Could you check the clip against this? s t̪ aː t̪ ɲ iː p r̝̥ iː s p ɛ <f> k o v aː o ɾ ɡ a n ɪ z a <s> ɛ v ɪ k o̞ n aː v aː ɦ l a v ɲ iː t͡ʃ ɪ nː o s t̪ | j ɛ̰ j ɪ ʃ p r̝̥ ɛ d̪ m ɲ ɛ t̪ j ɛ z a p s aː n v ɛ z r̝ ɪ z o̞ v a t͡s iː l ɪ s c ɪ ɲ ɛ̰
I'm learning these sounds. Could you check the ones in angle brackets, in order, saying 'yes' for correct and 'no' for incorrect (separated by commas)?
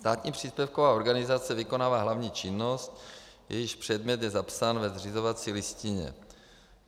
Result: yes, no